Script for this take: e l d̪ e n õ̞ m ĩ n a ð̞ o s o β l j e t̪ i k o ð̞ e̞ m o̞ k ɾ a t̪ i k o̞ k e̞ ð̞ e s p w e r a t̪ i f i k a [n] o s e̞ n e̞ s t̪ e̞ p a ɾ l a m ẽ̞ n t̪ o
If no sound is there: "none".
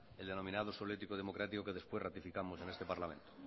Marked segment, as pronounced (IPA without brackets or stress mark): m